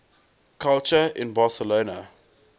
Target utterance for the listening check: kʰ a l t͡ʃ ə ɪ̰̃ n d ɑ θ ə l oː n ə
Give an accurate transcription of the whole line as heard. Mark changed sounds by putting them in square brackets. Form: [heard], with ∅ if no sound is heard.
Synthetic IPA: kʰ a l t͡ʃ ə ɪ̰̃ n [b] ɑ [s] ə l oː n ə